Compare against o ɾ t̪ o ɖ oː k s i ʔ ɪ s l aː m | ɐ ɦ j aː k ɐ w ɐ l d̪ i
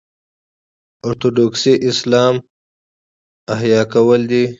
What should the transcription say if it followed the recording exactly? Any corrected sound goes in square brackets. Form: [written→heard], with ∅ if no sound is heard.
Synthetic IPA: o ɾ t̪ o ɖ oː k s i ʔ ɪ s l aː m | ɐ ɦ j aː k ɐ w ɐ l d̪ i